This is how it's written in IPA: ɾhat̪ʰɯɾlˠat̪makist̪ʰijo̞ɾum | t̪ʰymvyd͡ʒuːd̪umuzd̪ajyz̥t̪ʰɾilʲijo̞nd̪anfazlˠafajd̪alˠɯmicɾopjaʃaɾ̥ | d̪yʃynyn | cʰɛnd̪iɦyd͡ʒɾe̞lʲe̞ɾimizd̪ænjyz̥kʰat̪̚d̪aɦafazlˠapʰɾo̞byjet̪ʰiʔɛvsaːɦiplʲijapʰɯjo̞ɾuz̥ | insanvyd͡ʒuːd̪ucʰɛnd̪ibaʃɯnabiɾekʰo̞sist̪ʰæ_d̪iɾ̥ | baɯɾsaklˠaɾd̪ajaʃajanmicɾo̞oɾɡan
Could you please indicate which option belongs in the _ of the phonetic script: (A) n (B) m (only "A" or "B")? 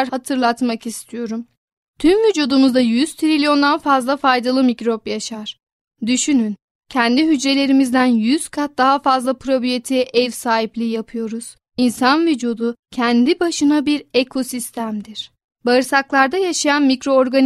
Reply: B